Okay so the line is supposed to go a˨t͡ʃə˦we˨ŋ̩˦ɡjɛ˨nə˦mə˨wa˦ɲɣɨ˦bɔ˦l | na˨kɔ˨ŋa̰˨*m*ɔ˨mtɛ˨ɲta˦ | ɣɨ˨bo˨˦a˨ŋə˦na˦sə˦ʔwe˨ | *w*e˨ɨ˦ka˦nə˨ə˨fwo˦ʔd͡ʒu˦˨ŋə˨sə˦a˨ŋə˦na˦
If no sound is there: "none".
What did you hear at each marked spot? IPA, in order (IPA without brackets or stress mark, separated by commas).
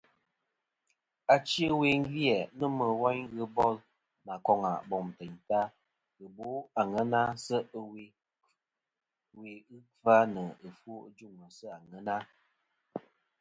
b, w